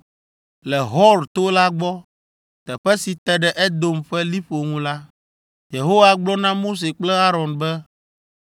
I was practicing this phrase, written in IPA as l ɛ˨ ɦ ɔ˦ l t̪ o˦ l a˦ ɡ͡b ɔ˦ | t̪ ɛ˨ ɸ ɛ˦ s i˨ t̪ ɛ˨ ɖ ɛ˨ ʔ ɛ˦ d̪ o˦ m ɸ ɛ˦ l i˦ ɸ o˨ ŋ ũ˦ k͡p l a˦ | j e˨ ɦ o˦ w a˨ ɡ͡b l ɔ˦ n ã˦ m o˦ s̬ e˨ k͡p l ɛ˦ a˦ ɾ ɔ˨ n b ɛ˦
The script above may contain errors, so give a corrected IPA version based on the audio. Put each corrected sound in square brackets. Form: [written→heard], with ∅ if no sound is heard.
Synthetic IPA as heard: l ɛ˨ ɦ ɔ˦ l t̪ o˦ l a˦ ɡ͡b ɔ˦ | t̪ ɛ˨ ɸ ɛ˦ s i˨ t̪ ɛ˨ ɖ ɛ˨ ʔ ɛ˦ d̪ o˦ m ɸ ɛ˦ l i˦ ɸ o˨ ŋ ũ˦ [k͡p→∅] l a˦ | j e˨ ɦ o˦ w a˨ ɡ͡b l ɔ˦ n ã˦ m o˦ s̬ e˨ k͡p l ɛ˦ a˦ ɾ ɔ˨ n b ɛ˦

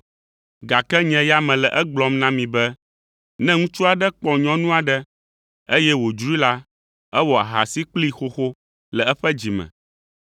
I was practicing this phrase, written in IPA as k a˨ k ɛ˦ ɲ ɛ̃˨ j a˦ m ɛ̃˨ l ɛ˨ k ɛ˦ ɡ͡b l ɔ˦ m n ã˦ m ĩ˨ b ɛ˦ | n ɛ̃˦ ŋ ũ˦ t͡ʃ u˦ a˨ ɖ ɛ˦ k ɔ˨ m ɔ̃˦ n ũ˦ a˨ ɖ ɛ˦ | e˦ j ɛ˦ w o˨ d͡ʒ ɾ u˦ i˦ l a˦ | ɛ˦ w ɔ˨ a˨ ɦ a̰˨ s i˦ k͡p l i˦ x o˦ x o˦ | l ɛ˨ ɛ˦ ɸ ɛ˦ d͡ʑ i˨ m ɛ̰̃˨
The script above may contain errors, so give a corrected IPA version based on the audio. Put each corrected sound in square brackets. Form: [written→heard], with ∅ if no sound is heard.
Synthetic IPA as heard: [k→ɡ] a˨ k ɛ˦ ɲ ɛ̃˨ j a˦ m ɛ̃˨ l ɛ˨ [k→ʔ] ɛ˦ ɡ͡b l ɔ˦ m n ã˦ m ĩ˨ b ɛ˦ | n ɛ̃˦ ŋ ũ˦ t͡ʃ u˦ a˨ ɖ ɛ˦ [k→k͡p] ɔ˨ [m→ɲ] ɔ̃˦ n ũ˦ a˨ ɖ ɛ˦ | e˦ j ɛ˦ w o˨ d͡ʒ ɾ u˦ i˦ l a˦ | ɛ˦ w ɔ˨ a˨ ɦ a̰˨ s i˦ k͡p l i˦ x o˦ x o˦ | l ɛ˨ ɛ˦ ɸ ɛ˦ d͡ʑ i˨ m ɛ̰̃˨

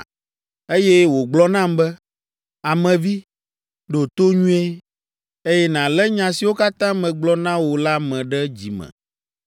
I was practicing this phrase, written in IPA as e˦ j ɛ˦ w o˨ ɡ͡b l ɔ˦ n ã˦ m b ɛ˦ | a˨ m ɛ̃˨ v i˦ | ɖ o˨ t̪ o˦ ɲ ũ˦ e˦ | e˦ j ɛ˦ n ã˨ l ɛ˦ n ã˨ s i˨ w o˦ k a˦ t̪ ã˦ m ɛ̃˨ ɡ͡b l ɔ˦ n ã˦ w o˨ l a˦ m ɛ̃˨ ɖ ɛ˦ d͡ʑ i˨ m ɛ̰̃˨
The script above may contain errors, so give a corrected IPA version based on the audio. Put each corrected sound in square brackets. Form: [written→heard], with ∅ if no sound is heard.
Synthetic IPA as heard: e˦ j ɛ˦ w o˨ ɡ͡b l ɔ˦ n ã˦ m b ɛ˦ | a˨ m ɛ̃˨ v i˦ | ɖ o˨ t̪ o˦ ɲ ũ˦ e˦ | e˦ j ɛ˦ n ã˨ l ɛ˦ [n→ɲ] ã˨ s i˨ w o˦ k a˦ t̪ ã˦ m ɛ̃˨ ɡ͡b l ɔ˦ n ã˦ w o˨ l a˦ m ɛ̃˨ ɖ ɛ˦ d͡ʑ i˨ m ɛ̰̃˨

